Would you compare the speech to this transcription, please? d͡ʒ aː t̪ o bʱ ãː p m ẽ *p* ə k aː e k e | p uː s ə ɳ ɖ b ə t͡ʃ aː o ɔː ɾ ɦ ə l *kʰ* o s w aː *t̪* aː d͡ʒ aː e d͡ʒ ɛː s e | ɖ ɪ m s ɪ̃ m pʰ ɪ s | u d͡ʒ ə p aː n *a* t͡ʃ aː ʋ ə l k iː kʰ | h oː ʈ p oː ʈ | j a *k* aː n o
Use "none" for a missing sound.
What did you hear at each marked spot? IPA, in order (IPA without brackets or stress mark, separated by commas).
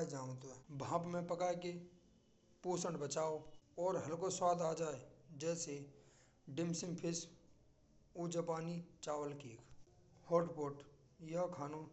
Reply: p, k, d̪, i, kʰ